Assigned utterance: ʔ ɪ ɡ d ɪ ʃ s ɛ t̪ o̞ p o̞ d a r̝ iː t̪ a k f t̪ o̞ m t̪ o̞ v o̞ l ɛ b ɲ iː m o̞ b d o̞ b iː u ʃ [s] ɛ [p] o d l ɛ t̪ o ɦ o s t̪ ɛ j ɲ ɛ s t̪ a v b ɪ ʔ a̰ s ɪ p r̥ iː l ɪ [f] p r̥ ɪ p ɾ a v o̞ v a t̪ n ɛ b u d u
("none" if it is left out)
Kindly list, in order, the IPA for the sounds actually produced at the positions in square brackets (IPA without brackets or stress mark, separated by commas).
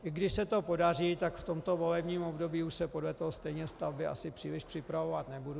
s, p, ʃ